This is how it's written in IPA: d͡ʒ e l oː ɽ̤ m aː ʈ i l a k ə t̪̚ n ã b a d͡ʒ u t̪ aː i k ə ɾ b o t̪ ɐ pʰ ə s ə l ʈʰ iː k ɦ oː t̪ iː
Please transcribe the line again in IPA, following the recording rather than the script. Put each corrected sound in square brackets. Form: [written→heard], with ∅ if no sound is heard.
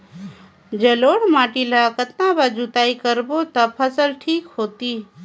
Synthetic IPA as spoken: d͡ʒ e l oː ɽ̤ m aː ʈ i l a k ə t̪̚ n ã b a d͡ʒ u t̪ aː i k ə ɾ b o t̪ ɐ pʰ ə s ə l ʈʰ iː k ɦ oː t̪ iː